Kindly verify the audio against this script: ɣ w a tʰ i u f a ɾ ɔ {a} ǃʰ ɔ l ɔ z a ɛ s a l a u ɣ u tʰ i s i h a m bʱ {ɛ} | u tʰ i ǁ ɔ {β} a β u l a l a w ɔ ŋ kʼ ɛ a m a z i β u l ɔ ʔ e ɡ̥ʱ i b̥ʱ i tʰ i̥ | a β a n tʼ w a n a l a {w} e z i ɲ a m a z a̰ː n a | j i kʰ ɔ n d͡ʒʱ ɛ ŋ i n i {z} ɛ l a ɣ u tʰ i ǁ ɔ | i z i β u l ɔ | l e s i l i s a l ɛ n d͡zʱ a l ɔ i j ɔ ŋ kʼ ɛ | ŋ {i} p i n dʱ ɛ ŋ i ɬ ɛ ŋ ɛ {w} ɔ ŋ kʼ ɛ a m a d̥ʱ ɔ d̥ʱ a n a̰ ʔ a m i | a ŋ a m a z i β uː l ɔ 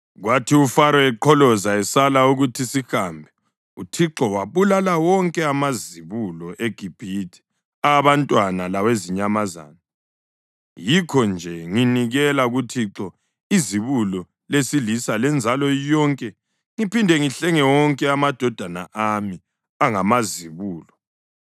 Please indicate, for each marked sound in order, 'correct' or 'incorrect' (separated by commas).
incorrect, correct, incorrect, correct, incorrect, correct, correct